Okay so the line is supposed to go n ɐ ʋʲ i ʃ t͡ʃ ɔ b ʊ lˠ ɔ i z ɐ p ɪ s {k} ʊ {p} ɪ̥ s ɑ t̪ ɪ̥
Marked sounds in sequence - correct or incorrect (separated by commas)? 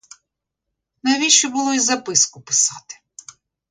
correct, correct